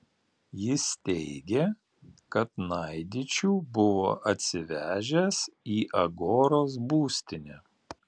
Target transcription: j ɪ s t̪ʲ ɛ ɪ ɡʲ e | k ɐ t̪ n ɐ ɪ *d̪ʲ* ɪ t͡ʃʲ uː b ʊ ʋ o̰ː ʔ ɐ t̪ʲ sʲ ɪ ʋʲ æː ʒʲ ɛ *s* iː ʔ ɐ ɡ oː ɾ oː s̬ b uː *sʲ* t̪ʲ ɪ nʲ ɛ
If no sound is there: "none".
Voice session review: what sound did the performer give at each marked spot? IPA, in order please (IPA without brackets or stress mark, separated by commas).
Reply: d̪ʲ, s, sʲ